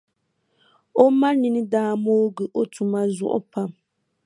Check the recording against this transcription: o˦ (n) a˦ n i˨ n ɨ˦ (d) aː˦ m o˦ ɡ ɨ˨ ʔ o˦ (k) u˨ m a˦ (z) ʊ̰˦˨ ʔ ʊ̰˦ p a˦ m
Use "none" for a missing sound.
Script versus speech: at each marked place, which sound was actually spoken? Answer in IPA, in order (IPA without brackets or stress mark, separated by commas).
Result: m, d, t, z